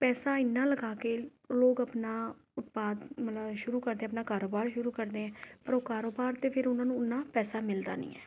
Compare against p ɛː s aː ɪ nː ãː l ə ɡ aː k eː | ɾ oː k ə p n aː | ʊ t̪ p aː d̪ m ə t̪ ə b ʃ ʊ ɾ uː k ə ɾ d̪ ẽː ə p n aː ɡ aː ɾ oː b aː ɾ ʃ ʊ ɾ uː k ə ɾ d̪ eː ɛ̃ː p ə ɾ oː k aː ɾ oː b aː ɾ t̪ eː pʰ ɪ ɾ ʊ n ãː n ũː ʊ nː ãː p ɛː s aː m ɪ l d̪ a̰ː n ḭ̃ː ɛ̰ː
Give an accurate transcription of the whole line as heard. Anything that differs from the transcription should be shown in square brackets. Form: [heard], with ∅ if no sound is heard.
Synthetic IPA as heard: p ɛː s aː ɪ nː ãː l ə ɡ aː k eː | [l] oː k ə p n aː | ʊ t̪ p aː d̪ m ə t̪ ə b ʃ ʊ ɾ uː k ə ɾ d̪ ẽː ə p n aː [k] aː ɾ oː b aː ɾ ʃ ʊ ɾ uː k ə ɾ d̪ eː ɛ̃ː p ə ɾ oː k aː ɾ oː b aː ɾ t̪ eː pʰ ɪ ɾ ʊ n ãː n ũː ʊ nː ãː p ɛː s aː m ɪ l d̪ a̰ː n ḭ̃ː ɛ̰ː

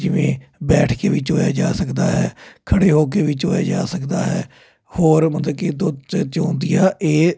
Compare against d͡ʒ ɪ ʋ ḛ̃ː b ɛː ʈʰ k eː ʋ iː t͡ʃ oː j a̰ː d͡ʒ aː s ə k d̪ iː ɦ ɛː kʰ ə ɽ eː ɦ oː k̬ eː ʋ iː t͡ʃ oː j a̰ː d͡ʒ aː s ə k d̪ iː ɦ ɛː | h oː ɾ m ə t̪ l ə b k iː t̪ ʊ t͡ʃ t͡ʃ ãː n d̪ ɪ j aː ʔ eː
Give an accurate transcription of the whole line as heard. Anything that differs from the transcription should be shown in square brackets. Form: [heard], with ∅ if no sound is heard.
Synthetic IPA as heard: d͡ʒ ɪ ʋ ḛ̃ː b ɛː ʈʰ k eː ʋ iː t͡ʃ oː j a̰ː d͡ʒ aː s ə k d̪ [aː] ɦ ɛː kʰ ə ɽ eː ɦ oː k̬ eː ʋ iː t͡ʃ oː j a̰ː d͡ʒ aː s ə k d̪ [aː] ɦ ɛː | h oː ɾ m ə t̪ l ə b k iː [d̪] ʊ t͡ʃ t͡ʃ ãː n d̪ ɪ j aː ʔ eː

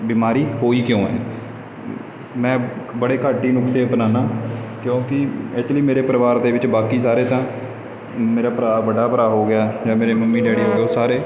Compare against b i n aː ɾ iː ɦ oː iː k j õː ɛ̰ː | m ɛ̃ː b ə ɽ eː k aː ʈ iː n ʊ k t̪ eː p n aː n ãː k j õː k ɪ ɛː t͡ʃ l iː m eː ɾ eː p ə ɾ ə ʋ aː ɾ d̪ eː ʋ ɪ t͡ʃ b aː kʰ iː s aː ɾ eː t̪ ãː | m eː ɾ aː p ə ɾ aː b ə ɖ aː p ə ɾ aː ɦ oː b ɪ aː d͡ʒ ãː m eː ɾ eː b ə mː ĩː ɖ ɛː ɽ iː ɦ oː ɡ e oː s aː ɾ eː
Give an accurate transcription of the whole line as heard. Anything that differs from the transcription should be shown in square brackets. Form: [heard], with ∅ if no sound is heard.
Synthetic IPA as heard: b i [m] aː ɾ iː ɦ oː iː k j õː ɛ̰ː | m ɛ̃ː b ə ɽ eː k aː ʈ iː n ʊ k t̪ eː p n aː n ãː k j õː k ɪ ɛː t͡ʃ l iː m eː ɾ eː p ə ɾ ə ʋ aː ɾ d̪ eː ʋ ɪ t͡ʃ b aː [k] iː s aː ɾ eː t̪ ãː | m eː ɾ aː p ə ɾ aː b ə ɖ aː p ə ɾ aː ɦ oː [ɡ] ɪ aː d͡ʒ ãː m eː ɾ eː [m] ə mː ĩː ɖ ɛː ɽ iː ɦ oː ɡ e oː s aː ɾ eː

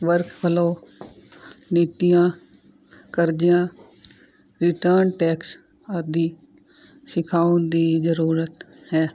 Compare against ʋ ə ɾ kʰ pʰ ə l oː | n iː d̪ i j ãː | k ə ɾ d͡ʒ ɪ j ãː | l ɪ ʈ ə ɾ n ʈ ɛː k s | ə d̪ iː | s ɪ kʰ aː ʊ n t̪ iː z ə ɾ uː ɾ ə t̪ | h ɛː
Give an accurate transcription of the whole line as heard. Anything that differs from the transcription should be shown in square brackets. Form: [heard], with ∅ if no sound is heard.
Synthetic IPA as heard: ʋ ə ɾ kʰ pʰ ə l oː | n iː [t̪] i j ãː | k ə ɾ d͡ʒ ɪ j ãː | [ɾ] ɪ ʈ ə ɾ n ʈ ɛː k s | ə d̪ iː | s ɪ kʰ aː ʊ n [d̪] iː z ə ɾ uː ɾ ə t̪ | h ɛː

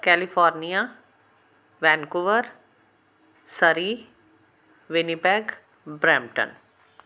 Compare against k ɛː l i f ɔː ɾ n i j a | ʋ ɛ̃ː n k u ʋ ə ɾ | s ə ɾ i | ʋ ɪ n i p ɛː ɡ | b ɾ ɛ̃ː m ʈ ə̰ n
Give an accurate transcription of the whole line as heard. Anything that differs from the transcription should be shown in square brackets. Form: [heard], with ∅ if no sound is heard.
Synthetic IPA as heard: k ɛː l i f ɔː ɾ n i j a | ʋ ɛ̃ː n k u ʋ ə ɾ | s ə ɾ i | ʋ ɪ n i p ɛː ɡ | b ɾ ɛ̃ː m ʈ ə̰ n

